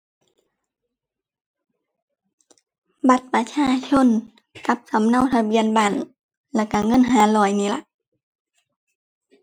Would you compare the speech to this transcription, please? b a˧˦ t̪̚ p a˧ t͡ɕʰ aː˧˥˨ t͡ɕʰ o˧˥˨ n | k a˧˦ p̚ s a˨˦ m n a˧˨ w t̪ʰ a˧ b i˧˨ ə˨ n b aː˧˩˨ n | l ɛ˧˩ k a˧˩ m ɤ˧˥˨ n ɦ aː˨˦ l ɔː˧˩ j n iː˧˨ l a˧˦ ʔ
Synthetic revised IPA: b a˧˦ t̪̚ p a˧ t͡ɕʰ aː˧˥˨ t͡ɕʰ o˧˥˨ n | k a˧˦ p̚ s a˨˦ m n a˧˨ w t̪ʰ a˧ b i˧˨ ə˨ n b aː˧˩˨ n | l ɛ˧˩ k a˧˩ ŋ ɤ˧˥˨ n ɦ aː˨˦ l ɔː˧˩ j n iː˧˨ l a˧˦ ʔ